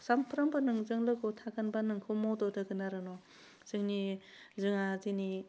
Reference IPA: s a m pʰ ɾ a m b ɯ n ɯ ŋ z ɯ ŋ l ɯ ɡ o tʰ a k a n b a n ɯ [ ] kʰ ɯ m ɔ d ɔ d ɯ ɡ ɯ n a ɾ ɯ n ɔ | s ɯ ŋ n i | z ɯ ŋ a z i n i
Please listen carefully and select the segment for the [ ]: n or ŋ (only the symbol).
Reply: ŋ